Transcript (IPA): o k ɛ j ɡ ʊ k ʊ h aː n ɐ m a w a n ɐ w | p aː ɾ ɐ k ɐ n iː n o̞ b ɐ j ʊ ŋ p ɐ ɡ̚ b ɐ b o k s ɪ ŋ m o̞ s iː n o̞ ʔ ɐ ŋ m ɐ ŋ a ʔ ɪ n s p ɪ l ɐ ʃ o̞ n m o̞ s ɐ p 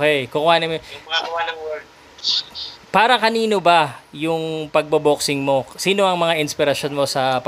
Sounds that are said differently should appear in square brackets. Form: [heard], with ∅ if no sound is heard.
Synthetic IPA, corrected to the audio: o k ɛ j [k] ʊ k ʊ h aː n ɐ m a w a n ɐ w | p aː ɾ ɐ k ɐ n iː n o̞ b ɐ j ʊ ŋ p ɐ ɡ̚ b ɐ b o k s ɪ ŋ m o̞ s iː n o̞ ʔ ɐ ŋ m ɐ ŋ a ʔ ɪ n s p ɪ [ɾ] ɐ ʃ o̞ n m o̞ s ɐ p